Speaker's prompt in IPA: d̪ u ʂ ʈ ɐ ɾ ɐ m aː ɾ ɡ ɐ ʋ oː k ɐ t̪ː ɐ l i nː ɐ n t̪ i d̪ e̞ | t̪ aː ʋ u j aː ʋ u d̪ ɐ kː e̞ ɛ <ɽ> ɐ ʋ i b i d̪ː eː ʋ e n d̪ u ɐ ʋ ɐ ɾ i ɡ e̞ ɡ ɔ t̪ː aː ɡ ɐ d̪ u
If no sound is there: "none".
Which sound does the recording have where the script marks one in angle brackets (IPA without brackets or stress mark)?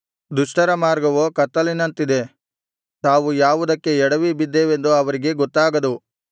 ɽ